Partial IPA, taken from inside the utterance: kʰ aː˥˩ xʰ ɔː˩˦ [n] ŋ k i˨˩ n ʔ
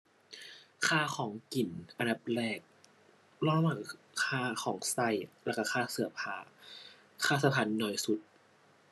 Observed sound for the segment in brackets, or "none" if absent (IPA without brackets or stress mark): none